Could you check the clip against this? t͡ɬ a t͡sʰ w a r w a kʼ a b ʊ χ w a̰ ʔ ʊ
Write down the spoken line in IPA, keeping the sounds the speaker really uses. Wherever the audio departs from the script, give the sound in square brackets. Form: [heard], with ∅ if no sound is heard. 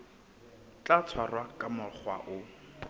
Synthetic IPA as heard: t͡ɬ a t͡sʰ w a r w a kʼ a [m] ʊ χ w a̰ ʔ ʊ